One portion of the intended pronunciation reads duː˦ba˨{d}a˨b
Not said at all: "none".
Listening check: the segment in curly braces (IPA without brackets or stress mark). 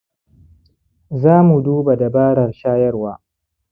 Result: d